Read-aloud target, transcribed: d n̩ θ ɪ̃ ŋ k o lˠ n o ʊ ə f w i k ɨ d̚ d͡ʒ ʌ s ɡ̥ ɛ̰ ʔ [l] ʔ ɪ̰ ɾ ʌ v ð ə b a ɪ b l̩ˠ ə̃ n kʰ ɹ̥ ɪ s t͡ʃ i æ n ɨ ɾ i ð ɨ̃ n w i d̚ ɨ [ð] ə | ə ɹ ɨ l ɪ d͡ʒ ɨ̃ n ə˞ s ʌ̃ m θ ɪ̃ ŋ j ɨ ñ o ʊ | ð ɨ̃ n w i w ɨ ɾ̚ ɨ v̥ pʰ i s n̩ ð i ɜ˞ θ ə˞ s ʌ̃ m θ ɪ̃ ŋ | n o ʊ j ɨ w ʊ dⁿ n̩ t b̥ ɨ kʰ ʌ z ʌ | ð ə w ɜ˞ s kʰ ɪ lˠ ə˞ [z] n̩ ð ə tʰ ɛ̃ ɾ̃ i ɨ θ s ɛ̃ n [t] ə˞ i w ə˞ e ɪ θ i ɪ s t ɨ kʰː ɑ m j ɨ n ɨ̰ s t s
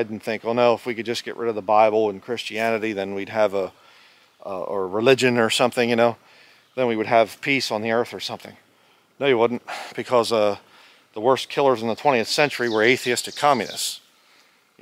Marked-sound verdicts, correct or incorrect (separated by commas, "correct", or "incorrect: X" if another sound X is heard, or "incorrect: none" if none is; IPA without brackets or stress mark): incorrect: ɹ, incorrect: v, correct, incorrect: t͡ʃ